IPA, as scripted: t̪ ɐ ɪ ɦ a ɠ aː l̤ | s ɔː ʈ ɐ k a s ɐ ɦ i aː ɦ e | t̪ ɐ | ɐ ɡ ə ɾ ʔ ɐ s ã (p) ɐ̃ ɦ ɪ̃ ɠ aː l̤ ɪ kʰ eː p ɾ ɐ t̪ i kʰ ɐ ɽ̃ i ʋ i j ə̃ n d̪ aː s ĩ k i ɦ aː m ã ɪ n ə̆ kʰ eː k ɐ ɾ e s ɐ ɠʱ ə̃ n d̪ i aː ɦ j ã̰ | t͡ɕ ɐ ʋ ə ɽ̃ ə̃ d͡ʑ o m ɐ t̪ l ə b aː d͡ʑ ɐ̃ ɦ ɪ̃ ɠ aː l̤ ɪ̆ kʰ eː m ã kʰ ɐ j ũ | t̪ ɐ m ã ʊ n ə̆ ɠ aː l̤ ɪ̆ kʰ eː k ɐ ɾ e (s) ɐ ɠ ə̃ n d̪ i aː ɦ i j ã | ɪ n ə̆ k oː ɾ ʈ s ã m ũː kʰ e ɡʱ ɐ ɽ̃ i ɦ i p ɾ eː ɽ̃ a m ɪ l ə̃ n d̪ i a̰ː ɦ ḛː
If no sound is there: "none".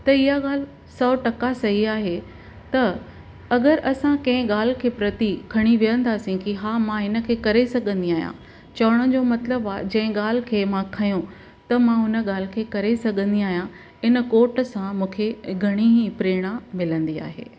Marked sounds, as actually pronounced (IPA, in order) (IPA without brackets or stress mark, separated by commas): k, s